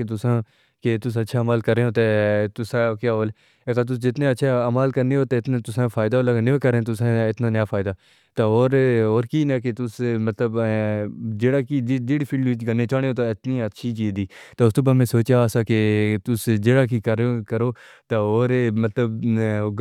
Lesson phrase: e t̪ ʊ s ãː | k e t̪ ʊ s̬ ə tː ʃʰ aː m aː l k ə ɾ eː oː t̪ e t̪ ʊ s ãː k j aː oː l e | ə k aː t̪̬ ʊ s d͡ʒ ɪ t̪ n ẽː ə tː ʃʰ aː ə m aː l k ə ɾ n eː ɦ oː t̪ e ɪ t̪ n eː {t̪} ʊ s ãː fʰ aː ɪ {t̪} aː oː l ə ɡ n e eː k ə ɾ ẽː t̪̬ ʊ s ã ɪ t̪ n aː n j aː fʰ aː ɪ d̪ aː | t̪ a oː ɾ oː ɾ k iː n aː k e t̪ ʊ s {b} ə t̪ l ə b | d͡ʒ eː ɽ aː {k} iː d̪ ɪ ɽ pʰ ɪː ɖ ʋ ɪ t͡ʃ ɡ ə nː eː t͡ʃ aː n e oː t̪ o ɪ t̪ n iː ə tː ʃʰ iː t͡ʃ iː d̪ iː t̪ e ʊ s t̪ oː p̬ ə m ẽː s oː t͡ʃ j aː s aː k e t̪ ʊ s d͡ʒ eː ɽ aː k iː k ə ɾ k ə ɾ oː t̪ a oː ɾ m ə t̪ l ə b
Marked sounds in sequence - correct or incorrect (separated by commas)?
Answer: correct, incorrect, incorrect, correct